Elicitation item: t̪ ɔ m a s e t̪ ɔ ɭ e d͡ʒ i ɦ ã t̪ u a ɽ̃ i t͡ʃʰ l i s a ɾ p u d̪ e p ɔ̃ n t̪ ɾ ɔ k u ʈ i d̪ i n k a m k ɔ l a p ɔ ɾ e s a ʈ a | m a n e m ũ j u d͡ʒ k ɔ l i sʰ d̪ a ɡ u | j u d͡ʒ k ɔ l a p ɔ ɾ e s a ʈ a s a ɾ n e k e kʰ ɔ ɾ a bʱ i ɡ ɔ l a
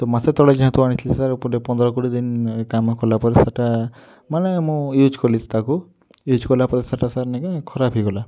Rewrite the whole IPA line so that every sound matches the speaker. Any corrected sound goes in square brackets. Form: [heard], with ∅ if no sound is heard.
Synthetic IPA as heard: t̪ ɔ m a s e t̪ ɔ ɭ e d͡ʒ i ɦ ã t̪ u a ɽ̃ i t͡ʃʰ l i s a ɾ p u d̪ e p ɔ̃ n [d̪] ɾ ɔ k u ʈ i d̪ i n k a m k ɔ l a p ɔ ɾ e s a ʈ a | m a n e m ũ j u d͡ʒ k ɔ l i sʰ [t̪] a [k] u | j u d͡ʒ k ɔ l a p ɔ ɾ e s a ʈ a s a ɾ n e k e kʰ ɔ ɾ a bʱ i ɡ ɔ l a